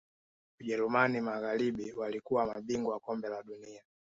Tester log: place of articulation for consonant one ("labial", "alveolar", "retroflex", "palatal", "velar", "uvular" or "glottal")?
palatal